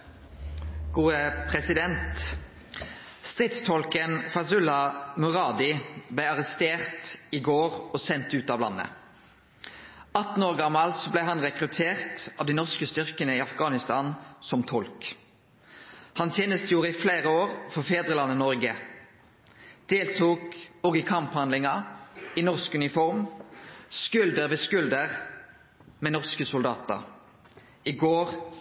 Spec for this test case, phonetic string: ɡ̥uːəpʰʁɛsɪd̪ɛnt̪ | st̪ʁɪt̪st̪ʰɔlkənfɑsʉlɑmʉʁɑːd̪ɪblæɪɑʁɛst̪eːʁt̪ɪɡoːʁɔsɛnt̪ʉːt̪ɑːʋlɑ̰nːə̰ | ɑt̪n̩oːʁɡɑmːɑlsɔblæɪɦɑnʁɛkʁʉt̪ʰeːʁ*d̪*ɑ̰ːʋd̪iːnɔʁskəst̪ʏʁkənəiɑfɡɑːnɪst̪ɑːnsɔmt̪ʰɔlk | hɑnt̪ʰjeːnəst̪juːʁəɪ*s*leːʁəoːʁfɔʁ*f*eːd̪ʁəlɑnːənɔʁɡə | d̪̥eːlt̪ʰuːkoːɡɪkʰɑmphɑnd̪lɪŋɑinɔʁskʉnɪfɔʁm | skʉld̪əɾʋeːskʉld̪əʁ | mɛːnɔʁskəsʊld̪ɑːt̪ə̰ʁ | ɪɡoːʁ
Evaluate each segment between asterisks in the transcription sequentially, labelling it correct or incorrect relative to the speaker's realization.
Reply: incorrect, incorrect, correct

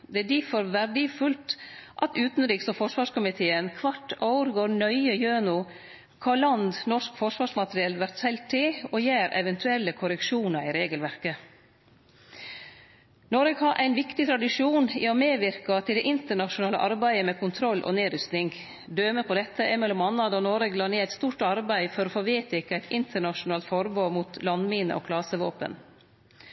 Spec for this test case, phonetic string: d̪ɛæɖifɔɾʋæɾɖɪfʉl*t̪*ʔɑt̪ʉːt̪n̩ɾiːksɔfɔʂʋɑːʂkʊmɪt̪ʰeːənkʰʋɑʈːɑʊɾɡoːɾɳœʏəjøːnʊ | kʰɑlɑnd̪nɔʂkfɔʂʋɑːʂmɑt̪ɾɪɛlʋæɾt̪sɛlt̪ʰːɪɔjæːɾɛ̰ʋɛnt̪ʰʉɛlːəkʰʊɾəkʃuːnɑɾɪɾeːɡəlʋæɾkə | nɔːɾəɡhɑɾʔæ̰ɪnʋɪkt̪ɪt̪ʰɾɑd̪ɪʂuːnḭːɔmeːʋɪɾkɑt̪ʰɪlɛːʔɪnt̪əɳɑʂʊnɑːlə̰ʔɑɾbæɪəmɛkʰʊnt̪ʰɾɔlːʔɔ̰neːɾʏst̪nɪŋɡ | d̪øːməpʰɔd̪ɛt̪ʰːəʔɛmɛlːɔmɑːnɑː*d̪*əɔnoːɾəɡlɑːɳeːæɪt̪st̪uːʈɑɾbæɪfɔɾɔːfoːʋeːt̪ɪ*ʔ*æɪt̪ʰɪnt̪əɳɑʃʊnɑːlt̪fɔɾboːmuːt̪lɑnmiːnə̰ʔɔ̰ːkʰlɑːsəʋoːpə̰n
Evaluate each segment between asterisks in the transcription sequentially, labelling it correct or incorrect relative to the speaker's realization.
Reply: correct, correct, incorrect

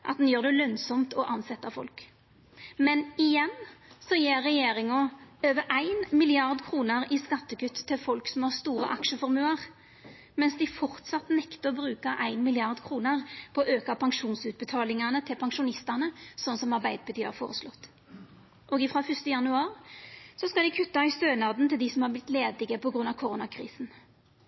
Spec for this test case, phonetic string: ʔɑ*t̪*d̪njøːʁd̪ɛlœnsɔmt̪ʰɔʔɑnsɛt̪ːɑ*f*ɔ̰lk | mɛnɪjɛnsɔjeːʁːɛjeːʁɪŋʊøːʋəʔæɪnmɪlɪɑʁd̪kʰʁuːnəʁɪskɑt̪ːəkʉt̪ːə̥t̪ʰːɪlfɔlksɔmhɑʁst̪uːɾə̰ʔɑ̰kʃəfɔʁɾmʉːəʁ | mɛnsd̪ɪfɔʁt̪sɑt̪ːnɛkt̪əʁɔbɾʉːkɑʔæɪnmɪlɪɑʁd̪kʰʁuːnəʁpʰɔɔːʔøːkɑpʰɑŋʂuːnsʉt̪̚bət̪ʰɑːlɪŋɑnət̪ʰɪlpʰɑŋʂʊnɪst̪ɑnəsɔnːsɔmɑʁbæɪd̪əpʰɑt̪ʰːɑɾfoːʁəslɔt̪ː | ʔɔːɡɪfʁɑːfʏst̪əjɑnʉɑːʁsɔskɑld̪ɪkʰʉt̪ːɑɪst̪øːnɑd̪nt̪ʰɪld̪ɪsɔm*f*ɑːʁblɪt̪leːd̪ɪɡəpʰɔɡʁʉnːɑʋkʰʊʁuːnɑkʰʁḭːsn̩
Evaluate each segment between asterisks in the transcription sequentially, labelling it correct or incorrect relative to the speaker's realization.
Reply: correct, correct, incorrect

